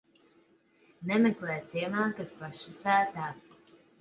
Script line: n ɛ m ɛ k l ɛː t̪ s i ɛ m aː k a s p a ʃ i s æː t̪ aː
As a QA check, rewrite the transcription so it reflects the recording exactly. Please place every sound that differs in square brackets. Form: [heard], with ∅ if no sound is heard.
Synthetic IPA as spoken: n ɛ m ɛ k l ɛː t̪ s i ɛ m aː k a s p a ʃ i s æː t̪ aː